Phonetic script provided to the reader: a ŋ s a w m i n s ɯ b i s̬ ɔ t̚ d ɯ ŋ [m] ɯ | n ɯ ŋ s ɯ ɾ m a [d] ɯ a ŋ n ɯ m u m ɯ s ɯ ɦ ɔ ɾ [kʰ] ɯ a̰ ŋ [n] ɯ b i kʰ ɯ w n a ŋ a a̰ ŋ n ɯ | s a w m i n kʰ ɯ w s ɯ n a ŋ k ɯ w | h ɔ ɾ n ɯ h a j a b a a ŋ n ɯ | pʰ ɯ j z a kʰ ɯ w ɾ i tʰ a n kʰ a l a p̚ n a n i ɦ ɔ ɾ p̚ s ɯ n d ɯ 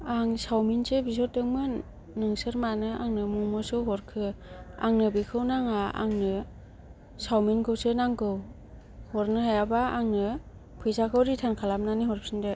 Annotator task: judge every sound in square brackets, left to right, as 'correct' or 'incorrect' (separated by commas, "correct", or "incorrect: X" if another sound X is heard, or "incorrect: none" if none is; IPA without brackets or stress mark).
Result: correct, incorrect: n, correct, correct